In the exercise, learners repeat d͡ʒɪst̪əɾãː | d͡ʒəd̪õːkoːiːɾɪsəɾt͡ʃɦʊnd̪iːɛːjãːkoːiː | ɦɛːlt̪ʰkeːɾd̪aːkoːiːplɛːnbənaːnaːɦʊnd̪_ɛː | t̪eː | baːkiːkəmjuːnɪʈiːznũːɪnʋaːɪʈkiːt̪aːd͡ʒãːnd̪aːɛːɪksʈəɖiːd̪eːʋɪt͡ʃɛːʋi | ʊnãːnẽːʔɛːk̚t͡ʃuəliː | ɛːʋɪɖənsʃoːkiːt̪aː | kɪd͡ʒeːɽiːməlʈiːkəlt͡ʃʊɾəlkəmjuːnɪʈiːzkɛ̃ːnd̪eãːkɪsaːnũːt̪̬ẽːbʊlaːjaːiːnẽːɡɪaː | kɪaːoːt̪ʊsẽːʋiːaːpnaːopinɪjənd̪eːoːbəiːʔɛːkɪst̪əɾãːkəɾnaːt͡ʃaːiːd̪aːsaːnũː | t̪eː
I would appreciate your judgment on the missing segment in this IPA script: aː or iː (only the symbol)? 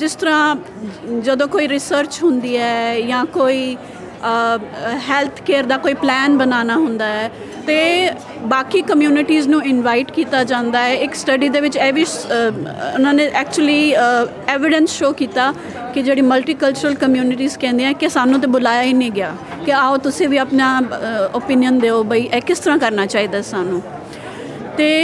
aː